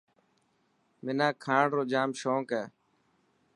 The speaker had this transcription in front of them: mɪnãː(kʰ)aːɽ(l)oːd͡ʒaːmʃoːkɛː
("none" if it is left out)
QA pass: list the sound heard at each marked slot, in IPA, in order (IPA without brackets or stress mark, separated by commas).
kʰ, ɾ